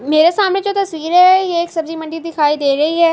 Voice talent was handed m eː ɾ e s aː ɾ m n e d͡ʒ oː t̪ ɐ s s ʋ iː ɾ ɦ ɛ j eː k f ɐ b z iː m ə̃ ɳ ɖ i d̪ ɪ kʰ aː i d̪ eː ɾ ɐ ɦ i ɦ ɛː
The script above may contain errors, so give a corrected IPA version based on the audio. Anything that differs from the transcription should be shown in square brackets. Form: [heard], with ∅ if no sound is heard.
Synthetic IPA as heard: m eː ɾ e s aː [∅] m n e d͡ʒ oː t̪ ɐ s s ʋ iː ɾ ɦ ɛ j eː k [s] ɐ b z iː m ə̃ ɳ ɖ i d̪ ɪ kʰ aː i d̪ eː ɾ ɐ ɦ i ɦ ɛː